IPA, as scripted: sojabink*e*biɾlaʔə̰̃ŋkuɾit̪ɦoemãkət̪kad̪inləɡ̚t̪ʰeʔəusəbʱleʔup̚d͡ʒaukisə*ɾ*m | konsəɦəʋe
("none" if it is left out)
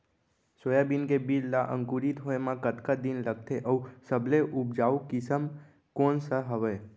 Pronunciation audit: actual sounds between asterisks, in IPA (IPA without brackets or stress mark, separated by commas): e, none